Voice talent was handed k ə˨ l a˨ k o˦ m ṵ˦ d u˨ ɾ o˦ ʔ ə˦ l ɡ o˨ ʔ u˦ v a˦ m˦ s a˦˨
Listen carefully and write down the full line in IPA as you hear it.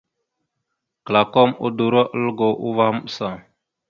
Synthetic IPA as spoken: k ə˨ l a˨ k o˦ m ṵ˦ d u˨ ɾ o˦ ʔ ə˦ l ɡ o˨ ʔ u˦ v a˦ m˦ s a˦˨